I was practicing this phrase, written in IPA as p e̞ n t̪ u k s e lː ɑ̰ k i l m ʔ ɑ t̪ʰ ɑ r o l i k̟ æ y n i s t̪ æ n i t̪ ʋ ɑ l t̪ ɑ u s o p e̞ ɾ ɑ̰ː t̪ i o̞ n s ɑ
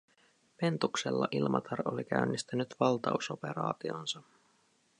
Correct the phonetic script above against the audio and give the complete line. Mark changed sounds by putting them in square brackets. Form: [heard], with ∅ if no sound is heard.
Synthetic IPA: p e̞ n t̪ u k s e lː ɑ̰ [ʔ] i l m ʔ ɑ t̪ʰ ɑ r o l i k̟ æ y [nː] i s t̪ æ n [y] t̪ ʋ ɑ l t̪ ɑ u s o p e̞ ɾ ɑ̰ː t̪ i o̞ n s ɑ